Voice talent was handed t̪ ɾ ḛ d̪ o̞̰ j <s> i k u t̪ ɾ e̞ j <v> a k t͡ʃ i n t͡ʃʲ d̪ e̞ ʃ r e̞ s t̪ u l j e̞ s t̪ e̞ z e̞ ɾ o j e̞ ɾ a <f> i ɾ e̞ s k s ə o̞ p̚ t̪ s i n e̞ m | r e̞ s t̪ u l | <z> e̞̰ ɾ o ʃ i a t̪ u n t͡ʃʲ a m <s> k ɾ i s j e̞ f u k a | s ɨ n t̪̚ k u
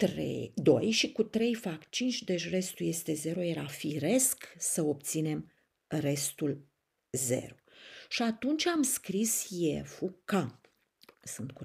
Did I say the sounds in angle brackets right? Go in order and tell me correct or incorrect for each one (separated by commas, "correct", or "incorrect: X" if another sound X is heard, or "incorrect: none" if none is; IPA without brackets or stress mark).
incorrect: ʃ, incorrect: f, correct, correct, correct